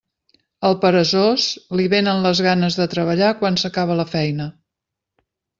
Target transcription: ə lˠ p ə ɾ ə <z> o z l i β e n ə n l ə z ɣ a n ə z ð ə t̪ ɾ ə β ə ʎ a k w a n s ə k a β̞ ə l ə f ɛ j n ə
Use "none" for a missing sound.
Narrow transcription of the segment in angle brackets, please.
z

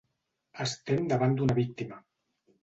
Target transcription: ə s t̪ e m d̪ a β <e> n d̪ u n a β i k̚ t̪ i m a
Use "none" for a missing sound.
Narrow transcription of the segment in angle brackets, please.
a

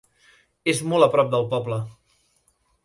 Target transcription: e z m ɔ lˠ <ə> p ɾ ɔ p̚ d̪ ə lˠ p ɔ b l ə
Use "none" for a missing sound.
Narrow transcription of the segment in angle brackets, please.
ə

